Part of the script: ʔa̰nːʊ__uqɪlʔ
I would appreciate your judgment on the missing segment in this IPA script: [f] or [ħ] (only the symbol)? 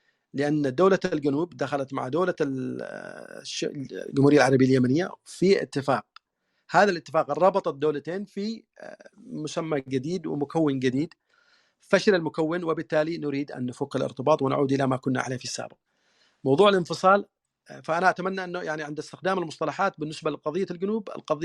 f